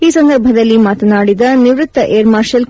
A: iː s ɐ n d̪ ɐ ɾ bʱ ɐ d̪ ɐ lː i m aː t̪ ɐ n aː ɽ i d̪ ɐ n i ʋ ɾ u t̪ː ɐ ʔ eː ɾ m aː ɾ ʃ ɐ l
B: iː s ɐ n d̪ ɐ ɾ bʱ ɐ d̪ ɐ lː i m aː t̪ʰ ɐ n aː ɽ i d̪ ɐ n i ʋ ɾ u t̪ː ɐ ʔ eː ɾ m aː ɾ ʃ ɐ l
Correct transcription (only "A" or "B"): A